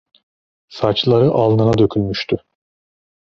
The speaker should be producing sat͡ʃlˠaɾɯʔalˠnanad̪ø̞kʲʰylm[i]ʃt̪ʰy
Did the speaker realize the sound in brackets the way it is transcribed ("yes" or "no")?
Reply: no